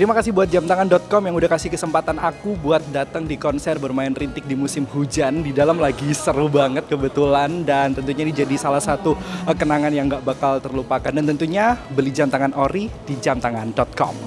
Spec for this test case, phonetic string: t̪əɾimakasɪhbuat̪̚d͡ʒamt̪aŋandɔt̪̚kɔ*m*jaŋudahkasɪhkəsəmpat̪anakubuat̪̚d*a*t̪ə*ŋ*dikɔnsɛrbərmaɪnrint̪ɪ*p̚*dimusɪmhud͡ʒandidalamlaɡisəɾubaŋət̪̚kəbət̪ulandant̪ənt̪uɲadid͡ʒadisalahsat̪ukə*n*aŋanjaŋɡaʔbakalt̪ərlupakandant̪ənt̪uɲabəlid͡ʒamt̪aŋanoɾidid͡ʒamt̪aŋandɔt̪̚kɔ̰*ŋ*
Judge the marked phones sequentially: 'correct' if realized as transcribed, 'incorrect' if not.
correct, correct, correct, incorrect, correct, incorrect

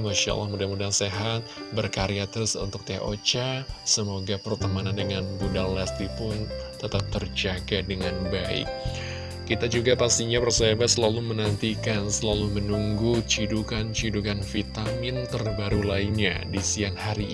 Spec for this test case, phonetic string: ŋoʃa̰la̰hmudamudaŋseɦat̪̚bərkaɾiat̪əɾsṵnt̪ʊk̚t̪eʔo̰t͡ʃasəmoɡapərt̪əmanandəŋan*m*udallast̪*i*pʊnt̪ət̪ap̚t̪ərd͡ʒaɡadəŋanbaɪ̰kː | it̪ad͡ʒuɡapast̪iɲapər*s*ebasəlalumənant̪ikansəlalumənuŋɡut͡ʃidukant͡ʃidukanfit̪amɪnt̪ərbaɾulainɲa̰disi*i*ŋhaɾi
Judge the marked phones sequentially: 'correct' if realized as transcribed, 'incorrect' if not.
incorrect, correct, correct, incorrect

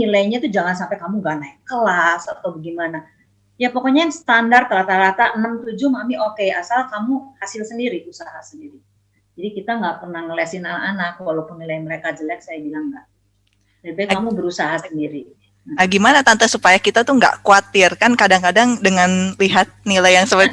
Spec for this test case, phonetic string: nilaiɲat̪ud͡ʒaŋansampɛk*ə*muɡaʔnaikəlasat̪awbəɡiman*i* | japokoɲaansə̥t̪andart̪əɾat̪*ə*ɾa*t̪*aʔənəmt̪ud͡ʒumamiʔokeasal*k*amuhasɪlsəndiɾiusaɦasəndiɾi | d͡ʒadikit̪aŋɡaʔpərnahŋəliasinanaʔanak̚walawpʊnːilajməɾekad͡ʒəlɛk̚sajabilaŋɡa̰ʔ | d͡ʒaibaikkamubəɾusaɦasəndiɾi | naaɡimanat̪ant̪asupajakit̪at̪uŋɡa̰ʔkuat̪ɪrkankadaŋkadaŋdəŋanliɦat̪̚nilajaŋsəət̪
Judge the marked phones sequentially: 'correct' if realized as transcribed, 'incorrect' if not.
incorrect, incorrect, incorrect, correct, correct

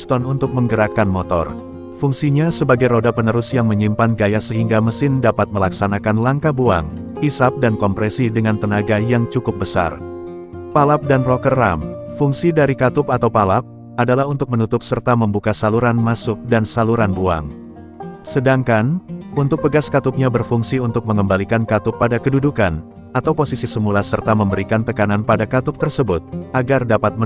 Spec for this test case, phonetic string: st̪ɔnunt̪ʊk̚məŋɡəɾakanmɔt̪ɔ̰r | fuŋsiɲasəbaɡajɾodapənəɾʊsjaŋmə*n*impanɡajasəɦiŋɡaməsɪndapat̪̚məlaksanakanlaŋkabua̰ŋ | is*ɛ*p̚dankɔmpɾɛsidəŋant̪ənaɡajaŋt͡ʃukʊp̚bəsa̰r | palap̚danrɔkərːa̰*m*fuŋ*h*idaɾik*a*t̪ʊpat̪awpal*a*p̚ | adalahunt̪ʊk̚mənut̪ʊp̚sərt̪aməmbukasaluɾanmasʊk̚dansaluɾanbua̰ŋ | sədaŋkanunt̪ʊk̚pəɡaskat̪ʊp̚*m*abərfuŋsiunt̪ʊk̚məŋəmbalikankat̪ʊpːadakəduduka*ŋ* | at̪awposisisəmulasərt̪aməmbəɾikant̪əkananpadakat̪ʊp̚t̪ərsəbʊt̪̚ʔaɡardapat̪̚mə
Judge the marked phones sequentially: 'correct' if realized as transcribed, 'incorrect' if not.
incorrect, incorrect, correct, incorrect, correct, correct, incorrect, incorrect

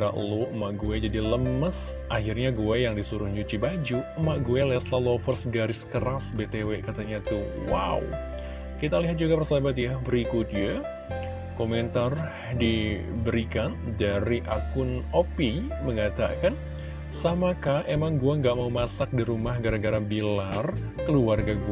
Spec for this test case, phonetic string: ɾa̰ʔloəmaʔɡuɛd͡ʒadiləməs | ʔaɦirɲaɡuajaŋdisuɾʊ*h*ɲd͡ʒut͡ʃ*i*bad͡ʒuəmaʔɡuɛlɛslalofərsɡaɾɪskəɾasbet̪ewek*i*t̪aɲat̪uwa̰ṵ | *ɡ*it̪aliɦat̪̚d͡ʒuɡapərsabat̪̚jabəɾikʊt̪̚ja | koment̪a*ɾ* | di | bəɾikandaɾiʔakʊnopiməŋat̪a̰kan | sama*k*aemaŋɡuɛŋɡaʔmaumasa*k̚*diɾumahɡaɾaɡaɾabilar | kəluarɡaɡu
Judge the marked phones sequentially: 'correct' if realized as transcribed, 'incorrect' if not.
correct, correct, incorrect, incorrect, incorrect, correct, correct

